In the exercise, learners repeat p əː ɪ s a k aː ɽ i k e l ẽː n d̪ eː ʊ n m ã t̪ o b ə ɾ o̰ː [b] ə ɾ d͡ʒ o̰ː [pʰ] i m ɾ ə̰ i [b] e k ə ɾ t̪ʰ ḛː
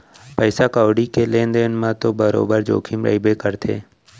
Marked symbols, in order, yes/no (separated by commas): yes, no, yes